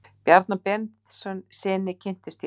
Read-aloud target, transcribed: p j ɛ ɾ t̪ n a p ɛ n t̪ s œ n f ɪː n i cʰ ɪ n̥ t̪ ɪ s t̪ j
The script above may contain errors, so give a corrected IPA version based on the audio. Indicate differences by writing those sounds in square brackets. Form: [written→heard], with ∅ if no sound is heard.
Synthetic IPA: p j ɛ ɾ t̪ n a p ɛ n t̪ s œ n [f→s] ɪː n [i→ɪ] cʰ ɪ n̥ t̪ ɪ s t̪ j